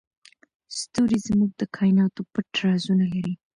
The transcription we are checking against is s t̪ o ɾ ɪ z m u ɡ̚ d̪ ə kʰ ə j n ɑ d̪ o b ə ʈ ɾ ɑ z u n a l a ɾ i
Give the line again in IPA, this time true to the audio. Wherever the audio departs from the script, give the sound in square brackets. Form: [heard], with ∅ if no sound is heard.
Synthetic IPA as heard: s t̪ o ɾ [i] z m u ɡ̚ d̪ ə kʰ [ɑ] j n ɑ [t̪] o [p] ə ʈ ɾ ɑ z u n a l a ɾ i